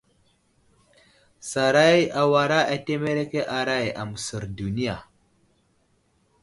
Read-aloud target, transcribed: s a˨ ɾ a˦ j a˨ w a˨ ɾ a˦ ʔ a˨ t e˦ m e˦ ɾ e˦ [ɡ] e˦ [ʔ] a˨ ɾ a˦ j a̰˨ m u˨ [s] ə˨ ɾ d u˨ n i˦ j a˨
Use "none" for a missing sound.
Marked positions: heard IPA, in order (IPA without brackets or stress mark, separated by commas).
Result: k, ʔ, s